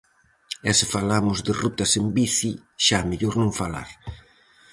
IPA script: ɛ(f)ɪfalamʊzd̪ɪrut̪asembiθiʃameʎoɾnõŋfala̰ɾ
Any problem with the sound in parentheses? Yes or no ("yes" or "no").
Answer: yes